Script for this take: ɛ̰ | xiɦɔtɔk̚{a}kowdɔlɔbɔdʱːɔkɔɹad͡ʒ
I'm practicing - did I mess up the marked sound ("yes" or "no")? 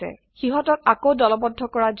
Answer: no